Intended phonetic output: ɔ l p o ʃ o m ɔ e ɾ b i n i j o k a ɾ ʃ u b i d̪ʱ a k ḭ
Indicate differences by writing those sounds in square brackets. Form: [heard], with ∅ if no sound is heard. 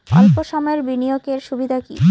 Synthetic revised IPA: ɔ l p o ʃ [ɔ] m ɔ e ɾ b i n i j o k [e] ɾ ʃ u b i d̪ʱ a k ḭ

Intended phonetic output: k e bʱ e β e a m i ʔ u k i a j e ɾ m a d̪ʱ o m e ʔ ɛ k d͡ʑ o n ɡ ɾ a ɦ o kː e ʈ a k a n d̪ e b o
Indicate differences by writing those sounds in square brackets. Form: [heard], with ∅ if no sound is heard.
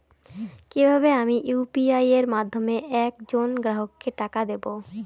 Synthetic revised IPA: k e bʱ [a] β e a m i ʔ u [p] i a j e ɾ m a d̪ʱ o m e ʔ ɛ k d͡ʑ o n ɡ ɾ a ɦ o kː e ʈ a k a [∅] d̪ e b o

